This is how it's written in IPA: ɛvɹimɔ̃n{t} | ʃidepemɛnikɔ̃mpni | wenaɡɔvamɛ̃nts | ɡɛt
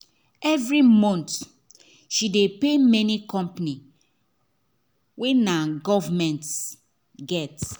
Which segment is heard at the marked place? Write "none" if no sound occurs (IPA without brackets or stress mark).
t